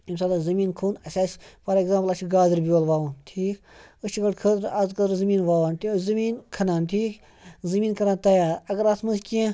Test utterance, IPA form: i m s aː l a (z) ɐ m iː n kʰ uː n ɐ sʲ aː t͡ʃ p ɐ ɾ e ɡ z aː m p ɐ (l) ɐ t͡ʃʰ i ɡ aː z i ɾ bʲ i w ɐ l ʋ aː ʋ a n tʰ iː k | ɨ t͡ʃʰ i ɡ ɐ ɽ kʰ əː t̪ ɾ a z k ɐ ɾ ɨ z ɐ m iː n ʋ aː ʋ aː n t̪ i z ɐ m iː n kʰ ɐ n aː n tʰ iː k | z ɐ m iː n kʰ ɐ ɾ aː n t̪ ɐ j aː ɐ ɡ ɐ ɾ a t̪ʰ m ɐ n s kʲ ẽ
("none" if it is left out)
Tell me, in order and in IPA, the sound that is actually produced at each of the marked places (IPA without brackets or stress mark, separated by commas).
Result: z, l